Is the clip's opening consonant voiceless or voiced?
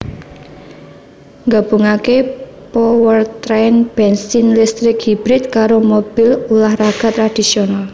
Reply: voiced